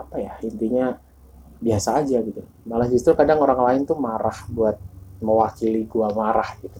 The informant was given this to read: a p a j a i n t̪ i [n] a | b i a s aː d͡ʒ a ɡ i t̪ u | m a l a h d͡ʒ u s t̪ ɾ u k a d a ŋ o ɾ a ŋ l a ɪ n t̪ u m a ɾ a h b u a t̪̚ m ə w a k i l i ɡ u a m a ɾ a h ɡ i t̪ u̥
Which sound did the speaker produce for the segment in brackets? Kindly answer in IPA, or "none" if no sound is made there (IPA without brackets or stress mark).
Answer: ɲ